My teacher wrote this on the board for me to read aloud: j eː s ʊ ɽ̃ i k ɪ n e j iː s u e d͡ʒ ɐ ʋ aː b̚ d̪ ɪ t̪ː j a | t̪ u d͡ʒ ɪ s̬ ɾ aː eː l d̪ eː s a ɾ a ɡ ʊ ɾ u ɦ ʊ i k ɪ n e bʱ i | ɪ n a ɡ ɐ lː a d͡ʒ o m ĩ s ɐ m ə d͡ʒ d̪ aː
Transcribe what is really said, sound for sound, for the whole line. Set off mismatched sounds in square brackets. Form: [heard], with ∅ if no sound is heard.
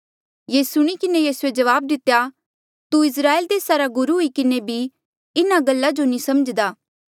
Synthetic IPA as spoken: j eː s ʊ ɽ̃ i k ɪ n e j iː s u e d͡ʒ ɐ ʋ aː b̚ d̪ ɪ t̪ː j a | t̪ u [∅] ɪ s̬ ɾ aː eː l d̪ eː s a ɾ a ɡ ʊ ɾ u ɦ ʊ i k ɪ n e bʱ i | ɪ n a ɡ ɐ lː a d͡ʒ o [n] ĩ s ɐ m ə d͡ʒ d̪ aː